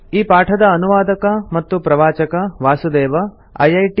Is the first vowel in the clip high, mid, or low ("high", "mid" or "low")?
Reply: high